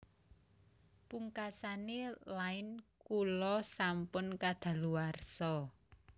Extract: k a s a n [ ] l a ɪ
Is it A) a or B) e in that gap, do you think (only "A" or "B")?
B